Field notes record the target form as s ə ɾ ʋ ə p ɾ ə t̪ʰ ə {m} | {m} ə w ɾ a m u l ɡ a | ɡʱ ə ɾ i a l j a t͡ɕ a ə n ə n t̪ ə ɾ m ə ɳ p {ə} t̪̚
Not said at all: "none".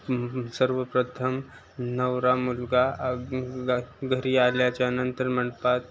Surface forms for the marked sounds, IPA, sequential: m, n, a

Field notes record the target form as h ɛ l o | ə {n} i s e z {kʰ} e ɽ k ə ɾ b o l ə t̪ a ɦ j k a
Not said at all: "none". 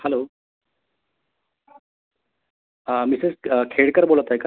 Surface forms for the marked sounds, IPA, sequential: m, kʰ

